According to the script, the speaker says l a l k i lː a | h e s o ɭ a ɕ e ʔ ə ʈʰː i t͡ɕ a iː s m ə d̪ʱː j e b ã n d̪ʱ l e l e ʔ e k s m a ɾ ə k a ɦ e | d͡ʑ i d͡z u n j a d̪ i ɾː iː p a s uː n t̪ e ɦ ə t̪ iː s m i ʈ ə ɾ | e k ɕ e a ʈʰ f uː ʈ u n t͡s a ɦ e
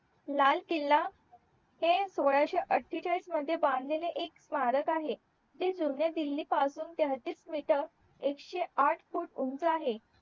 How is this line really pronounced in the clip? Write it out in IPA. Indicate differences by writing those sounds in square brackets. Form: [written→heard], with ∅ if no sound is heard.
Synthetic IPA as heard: l a l k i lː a | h e s o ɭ a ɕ e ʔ ə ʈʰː i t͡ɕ a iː s m ə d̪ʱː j e b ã n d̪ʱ l e l e ʔ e k s m a ɾ ə k a ɦ e | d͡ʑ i d͡z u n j a d̪ i [ɾː→lː] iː p a s uː n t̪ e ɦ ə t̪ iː s m i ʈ ə ɾ | e k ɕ e a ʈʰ f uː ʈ u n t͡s a ɦ e